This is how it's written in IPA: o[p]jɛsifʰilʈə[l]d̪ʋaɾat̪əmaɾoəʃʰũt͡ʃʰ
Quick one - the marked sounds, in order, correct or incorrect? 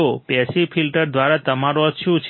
correct, incorrect: ɾ

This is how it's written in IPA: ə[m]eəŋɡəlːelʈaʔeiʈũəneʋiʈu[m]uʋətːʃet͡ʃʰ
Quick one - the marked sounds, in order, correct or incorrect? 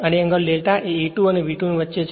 incorrect: n, incorrect: n

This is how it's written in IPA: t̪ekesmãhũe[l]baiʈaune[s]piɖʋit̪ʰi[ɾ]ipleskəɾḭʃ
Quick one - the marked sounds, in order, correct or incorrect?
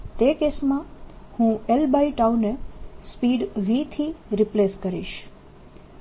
correct, correct, correct

